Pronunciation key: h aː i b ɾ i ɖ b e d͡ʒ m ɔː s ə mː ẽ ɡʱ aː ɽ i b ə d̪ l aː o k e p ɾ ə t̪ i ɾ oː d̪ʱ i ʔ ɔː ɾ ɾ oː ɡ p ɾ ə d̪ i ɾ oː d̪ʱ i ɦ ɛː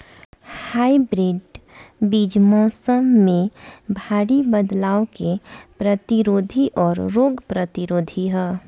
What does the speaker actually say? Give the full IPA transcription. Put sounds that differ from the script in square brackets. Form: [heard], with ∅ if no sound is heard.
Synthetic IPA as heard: h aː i b ɾ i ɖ b [i] d͡ʒ m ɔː s ə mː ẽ [bʱ] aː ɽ i b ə d̪ l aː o k e p ɾ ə t̪ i ɾ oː d̪ʱ i ʔ ɔː ɾ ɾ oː ɡ p ɾ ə [t̪] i ɾ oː d̪ʱ i ɦ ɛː